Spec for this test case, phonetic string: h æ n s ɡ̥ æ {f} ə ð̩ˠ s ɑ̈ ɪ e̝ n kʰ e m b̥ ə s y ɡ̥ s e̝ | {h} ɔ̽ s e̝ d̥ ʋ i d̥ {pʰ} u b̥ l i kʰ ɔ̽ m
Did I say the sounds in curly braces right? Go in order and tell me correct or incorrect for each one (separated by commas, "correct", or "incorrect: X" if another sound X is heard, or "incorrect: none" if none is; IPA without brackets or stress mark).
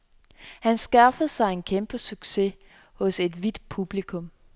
correct, correct, correct